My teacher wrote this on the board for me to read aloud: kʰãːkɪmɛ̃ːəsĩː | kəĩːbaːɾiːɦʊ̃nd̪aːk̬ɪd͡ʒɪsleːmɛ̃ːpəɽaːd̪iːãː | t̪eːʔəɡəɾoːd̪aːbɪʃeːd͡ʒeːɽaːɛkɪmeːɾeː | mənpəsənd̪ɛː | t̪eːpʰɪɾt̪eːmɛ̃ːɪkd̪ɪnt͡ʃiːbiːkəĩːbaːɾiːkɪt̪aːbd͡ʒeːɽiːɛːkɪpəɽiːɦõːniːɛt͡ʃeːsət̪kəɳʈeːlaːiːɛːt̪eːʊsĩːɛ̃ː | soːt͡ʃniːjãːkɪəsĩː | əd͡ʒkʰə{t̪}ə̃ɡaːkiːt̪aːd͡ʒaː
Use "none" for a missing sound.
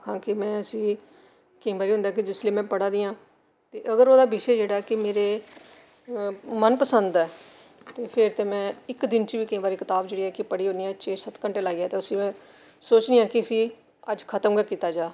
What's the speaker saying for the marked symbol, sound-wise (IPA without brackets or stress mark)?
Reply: t̪